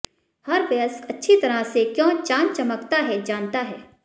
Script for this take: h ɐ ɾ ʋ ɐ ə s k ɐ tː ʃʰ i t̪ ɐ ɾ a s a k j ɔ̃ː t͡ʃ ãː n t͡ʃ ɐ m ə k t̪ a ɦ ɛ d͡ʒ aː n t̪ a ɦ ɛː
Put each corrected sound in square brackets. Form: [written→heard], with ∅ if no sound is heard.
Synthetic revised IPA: h ɐ ɾ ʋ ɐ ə s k ɐ tː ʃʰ i t̪ ɐ ɾ a s [a→e] k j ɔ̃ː t͡ʃ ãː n t͡ʃ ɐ m ə k t̪ a ɦ ɛ d͡ʒ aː n t̪ a ɦ ɛː